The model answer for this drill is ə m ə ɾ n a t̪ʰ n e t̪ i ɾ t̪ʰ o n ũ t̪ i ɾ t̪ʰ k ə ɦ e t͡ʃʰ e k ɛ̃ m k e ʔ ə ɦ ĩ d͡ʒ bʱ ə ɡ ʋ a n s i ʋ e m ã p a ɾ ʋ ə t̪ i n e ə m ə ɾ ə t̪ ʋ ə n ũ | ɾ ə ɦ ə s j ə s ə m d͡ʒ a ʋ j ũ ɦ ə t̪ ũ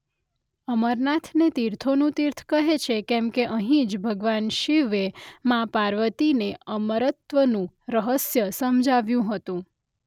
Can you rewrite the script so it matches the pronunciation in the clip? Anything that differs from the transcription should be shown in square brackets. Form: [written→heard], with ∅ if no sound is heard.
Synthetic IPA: ə m ə ɾ n a t̪ʰ n e t̪ i ɾ t̪ʰ o n ũ t̪ i ɾ t̪ʰ k ə ɦ e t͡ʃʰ e k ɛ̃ m k e ʔ ə ɦ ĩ d͡ʒ bʱ ə ɡ ʋ a n [s→ʃ] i ʋ e m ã p a ɾ ʋ ə t̪ i n e ə m ə ɾ ə t̪ ʋ ə n ũ | ɾ ə ɦ ə s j ə s ə m d͡ʒ a ʋ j ũ ɦ ə t̪ ũ

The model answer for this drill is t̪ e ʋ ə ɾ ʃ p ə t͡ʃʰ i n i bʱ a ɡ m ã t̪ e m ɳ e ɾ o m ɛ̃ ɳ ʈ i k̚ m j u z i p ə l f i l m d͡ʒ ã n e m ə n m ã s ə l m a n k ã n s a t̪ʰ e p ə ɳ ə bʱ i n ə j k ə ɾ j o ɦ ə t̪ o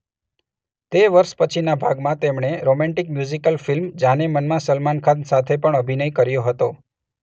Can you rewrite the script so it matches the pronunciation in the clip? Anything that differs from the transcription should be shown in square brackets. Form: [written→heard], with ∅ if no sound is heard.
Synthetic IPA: t̪ e ʋ ə ɾ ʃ p ə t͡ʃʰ i n [i→a] bʱ a ɡ m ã t̪ e m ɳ e ɾ o m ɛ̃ ɳ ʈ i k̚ m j u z i [p→k] ə l f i l m d͡ʒ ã n e m ə n m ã s ə l m a n [k→kʰ] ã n s a t̪ʰ e p ə ɳ ə bʱ i n ə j k ə ɾ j o ɦ ə t̪ o

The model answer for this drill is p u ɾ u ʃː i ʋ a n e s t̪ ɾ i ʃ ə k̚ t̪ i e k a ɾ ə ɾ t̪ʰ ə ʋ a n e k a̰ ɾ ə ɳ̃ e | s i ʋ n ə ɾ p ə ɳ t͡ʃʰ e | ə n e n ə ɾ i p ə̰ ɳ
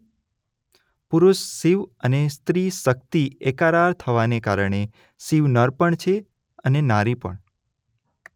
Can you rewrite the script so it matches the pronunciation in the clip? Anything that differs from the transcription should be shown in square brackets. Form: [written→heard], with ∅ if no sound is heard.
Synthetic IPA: p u ɾ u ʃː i ʋ [a→ə] n e s t̪ ɾ i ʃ ə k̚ t̪ i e k a ɾ [ə→a] ɾ t̪ʰ ə ʋ a n e k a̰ ɾ ə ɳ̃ e | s i ʋ n ə ɾ p ə ɳ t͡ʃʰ e | ə n e n [ə→a] ɾ i p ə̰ ɳ

